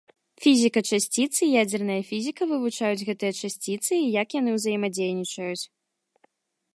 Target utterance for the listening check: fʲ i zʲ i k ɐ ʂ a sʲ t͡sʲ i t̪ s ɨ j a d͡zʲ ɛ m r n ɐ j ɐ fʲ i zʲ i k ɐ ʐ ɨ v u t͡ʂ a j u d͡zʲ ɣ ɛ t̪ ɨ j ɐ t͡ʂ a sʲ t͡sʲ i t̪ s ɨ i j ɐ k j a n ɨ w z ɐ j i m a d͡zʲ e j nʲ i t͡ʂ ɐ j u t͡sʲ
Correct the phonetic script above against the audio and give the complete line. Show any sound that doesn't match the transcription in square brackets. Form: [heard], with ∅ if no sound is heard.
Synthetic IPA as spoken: fʲ i zʲ i k ɐ [t͡ʂ] a sʲ t͡sʲ i t̪ s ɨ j a d͡zʲ ɛ [∅] r n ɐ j ɐ fʲ i zʲ i k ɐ [v] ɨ v u t͡ʂ a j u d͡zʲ ɣ ɛ t̪ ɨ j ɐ t͡ʂ a sʲ t͡sʲ i t̪ s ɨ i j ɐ k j a n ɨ w z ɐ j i m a d͡zʲ e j nʲ i t͡ʂ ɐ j u t͡sʲ